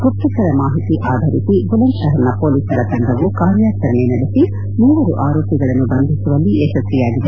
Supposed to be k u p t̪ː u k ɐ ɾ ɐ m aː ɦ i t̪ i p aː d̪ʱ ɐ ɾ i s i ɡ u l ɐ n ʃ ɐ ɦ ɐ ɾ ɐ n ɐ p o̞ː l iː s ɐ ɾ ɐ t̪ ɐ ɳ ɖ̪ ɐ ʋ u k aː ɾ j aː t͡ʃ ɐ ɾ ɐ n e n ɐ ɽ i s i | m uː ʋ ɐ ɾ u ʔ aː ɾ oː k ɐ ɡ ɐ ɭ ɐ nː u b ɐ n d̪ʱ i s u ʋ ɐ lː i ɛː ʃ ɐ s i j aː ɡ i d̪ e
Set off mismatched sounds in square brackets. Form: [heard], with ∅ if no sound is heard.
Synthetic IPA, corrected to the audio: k u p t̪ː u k ɐ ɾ ɐ m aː ɦ i t̪ i [ʔ] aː d̪ʱ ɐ ɾ i s i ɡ u l ɐ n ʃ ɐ ɦ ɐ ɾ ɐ n ɐ p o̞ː l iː s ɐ ɾ ɐ t̪ ɐ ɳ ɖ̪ ɐ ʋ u k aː ɾ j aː t͡ʃ ɐ ɾ ɐ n e n ɐ ɽ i s i | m uː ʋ ɐ ɾ u ʔ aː ɾ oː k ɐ ɡ ɐ ɭ ɐ nː u b ɐ n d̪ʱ i s u ʋ ɐ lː i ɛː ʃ ɐ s i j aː ɡ i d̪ e